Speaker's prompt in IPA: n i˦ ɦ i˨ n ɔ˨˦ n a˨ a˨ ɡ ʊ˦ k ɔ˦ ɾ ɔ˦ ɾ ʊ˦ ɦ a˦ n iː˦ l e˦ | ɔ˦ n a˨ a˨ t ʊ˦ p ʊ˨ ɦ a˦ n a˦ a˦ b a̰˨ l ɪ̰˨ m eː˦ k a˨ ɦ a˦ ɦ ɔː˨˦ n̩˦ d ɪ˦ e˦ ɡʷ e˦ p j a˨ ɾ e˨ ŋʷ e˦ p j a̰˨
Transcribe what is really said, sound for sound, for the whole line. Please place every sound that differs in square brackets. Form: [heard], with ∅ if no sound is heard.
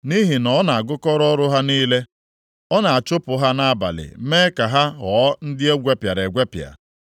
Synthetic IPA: n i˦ ɦ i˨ n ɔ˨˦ n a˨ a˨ ɡ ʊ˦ k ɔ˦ ɾ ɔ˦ ɾ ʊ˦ ɦ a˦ n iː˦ l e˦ | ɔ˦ n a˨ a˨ [t͡ʃ] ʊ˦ p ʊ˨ ɦ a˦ n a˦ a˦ b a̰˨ l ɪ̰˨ m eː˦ k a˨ ɦ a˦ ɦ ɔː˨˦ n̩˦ d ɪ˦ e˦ ɡʷ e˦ p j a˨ ɾ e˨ [ɡʷ] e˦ p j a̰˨